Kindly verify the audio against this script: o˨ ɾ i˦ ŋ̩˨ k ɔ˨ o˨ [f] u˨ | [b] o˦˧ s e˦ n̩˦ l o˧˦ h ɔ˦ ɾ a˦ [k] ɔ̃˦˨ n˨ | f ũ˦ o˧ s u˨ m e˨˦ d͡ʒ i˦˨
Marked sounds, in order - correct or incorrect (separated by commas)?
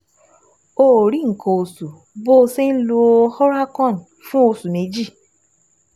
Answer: incorrect, correct, correct